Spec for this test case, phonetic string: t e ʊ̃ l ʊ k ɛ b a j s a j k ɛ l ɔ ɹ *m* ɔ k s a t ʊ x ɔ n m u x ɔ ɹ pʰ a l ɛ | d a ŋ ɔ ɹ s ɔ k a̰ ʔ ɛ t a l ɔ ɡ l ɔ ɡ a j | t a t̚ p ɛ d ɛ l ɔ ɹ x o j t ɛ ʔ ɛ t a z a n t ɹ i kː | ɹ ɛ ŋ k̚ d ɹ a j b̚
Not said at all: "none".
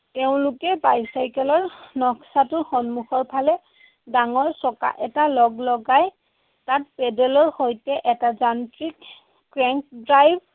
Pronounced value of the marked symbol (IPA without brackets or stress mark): n